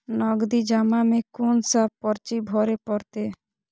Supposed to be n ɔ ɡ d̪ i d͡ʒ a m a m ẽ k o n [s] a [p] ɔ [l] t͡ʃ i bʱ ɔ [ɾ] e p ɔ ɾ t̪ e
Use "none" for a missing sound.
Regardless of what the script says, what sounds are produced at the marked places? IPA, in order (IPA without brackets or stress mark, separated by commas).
s, p, ɾ, ɾ